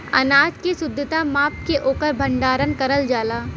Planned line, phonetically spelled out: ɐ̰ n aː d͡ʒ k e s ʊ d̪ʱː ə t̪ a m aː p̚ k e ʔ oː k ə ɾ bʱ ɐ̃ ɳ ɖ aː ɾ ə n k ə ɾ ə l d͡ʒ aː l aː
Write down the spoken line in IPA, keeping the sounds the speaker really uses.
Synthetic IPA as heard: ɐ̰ n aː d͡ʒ k e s ʊ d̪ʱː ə t̪ a m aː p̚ k e ʔ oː k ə ɾ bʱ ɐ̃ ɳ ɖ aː ɾ ə n k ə ɾ ə l d͡ʒ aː l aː